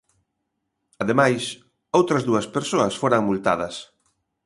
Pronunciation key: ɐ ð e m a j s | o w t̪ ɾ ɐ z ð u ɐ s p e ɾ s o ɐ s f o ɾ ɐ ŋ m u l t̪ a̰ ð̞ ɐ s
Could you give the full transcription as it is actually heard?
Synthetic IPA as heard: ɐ ð e m a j s | o w t̪ ɾ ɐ z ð u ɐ s p e ɾ s o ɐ s f o ɾ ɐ ŋ m u l t̪ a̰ ð̞ ɐ s

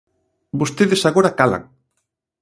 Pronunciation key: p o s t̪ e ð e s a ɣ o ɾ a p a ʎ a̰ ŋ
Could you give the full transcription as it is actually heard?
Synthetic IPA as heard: b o s t̪ e ð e s a ɣ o ɾ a k a l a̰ ŋ

